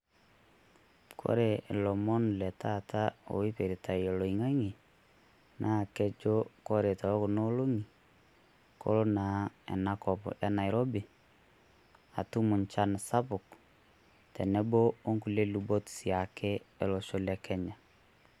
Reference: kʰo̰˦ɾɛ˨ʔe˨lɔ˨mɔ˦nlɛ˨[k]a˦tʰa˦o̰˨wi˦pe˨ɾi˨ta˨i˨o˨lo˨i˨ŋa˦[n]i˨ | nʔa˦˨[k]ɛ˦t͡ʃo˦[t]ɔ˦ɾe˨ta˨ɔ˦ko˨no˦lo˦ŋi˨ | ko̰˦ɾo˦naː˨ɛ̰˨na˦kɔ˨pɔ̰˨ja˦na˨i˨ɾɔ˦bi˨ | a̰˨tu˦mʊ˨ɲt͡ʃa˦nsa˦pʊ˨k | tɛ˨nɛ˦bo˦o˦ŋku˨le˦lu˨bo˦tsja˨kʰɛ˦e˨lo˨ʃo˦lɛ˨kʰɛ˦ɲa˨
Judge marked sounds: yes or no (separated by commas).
no, no, yes, no